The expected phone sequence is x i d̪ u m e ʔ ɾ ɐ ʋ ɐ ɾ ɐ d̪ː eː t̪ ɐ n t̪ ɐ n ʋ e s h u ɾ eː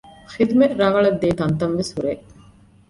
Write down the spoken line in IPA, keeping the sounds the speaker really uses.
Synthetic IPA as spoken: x i d̪ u m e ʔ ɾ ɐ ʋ ɐ ɭ ɐ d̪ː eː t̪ ɐ n t̪ ɐ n ʋ e s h u ɾ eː